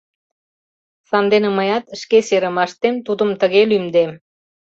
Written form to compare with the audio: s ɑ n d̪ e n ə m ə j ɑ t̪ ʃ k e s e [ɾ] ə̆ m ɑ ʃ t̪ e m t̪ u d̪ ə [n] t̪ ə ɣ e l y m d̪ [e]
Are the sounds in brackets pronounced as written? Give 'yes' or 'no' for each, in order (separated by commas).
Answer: yes, no, yes